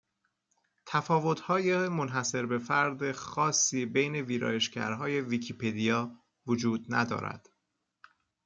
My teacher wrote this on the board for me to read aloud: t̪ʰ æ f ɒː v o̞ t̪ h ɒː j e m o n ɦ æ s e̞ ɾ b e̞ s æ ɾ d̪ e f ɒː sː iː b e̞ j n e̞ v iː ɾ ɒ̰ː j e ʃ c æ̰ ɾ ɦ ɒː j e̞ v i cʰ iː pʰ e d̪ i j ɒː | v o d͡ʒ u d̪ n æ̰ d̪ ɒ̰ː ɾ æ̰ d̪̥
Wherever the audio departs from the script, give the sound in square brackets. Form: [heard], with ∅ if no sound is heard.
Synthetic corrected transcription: t̪ʰ æ f ɒː v o̞ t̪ h ɒː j e m o n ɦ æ s e̞ ɾ b e̞ [f] æ ɾ d̪ e [x] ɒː sː iː b e̞ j n e̞ v iː ɾ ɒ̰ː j e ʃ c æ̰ ɾ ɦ ɒː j e̞ v i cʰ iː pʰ e d̪ i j ɒː | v o d͡ʒ [uː] d̪ n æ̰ d̪ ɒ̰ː ɾ æ̰ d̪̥

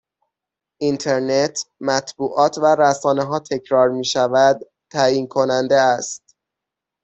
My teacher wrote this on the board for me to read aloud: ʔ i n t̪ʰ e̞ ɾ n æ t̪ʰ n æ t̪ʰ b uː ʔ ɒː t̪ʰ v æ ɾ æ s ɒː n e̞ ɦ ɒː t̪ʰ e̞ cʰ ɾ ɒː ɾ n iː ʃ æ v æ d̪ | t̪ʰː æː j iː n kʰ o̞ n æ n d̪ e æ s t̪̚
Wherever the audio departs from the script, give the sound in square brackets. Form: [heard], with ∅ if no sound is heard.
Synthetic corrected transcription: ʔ i n t̪ʰ e̞ ɾ n [e] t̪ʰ [m] æ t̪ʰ b uː ʔ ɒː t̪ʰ v æ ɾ æ s ɒː n e̞ ɦ ɒː t̪ʰ e̞ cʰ ɾ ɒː ɾ [m] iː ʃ æ v æ d̪ | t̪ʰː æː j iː n kʰ o̞ n æ n d̪ e æ s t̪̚

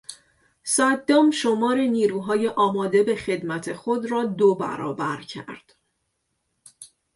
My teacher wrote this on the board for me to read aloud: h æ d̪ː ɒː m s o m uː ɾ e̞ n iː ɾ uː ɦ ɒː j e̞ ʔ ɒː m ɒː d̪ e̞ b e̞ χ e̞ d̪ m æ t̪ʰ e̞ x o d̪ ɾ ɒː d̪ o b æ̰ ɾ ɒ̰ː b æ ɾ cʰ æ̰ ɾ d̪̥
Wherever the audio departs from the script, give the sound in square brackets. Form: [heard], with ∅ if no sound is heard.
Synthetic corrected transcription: [s] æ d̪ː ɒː m [ʃ] o m [ɒː] ɾ e̞ n iː ɾ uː ɦ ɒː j e̞ ʔ ɒː m ɒː d̪ e̞ b e̞ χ e̞ d̪ m æ t̪ʰ e̞ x o d̪ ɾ ɒː d̪ o b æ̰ ɾ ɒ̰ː b æ ɾ cʰ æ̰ ɾ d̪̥

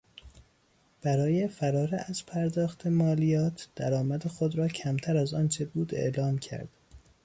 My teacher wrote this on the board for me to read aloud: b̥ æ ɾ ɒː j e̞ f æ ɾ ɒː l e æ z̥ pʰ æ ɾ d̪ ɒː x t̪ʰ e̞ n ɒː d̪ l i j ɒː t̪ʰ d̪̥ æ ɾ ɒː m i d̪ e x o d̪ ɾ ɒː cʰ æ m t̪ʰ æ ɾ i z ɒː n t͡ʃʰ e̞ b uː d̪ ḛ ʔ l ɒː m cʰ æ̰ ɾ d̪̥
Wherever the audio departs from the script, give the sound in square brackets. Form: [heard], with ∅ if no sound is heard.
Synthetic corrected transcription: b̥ æ ɾ ɒː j e̞ f æ ɾ ɒː [ɾ] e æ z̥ pʰ æ ɾ d̪ ɒː x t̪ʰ e̞ [m] ɒː [∅] l i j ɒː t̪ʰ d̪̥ æ ɾ ɒː m [æ] d̪ e x o d̪ ɾ ɒː cʰ æ m t̪ʰ æ ɾ [æ] z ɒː n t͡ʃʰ e̞ b uː d̪ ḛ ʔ l ɒː m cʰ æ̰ ɾ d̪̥

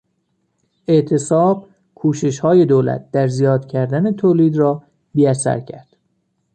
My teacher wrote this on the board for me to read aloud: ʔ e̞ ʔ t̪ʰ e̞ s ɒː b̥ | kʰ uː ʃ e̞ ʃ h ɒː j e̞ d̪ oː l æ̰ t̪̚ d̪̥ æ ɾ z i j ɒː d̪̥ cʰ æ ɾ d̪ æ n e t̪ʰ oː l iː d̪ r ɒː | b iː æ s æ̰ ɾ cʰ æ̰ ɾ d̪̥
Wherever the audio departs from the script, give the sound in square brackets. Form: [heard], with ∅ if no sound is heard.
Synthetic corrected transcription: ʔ e̞ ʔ t̪ʰ e̞ s ɒː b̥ | kʰ uː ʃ e̞ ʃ h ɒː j e̞ d̪ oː l æ̰ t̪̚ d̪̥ æ ɾ z i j ɒː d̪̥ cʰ æ ɾ d̪ æ n e t̪ʰ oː l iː d̪ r ɒː | b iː æ s æ̰ ɾ cʰ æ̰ ɾ d̪̥

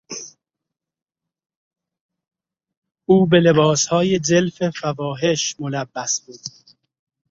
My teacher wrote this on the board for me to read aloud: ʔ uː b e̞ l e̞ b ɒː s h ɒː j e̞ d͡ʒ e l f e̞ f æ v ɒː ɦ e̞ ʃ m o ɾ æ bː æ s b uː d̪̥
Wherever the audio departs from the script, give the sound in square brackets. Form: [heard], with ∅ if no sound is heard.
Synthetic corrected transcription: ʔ uː b e̞ l e̞ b ɒː s h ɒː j e̞ d͡ʒ e l f e̞ f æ v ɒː ɦ e̞ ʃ m o [l] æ bː æ s b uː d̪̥

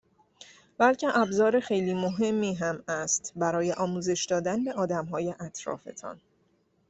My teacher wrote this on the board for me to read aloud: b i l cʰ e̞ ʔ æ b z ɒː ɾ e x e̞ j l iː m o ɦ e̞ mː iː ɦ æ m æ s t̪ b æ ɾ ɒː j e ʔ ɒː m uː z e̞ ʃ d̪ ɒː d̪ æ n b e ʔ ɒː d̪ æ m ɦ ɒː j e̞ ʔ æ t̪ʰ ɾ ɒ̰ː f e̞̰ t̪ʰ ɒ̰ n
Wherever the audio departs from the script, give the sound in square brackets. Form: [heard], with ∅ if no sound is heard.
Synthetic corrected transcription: b [æ] l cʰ e̞ ʔ æ b z ɒː ɾ e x e̞ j l iː m o ɦ e̞ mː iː ɦ æ m æ s t̪ b æ ɾ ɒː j e ʔ ɒː m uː z e̞ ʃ d̪ ɒː d̪ æ n b e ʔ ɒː d̪ æ m ɦ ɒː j e̞ ʔ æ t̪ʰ ɾ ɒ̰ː f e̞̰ t̪ʰ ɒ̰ n

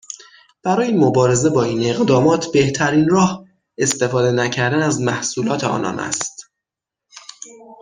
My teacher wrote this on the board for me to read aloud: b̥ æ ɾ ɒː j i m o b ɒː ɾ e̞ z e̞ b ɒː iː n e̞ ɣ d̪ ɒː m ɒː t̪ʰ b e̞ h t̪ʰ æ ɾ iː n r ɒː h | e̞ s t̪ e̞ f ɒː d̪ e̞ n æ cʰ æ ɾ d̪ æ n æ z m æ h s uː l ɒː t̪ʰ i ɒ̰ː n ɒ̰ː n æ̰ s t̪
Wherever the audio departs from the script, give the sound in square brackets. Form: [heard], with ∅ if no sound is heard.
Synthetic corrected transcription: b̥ æ ɾ ɒː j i m o b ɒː ɾ e̞ z e̞ b ɒː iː n e̞ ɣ d̪ ɒː m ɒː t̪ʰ b e̞ h t̪ʰ æ ɾ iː n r ɒː h | e̞ s t̪ e̞ f ɒː d̪ e̞ n æ cʰ æ ɾ d̪ æ n æ z m æ h s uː l ɒː t̪ʰ [e] ɒ̰ː n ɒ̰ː n æ̰ s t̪

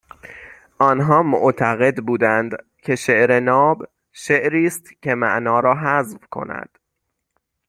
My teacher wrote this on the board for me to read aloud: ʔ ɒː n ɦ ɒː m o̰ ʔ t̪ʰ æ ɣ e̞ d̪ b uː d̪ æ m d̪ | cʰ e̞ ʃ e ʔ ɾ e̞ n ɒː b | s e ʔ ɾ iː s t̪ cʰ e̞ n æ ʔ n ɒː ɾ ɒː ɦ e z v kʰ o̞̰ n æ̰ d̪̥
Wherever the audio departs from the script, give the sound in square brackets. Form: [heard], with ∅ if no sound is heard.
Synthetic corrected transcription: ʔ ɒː n ɦ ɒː m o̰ ʔ t̪ʰ æ ɣ e̞ d̪ b uː d̪ æ [n] d̪ | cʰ e̞ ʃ e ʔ ɾ e̞ n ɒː b | [ʃ] e ʔ ɾ iː s t̪ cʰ e̞ [m] æ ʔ n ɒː ɾ ɒː ɦ [æ] z v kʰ o̞̰ n æ̰ d̪̥

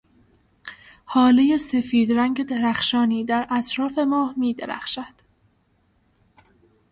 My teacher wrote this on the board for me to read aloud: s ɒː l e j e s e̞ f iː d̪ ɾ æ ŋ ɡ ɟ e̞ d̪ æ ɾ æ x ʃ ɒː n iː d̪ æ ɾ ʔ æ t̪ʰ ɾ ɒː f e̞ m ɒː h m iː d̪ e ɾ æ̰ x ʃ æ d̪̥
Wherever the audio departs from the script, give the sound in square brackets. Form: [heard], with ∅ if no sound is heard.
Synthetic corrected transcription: [h] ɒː l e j e s e̞ f iː d̪ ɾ æ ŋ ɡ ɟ e̞ d̪ [e] ɾ æ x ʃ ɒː n iː d̪ æ ɾ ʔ æ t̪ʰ ɾ ɒː f e̞ m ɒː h m iː d̪ e ɾ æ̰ x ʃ æ d̪̥

